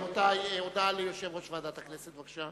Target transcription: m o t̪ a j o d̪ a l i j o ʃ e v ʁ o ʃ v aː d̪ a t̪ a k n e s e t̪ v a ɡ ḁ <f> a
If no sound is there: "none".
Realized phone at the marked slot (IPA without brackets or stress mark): ʃ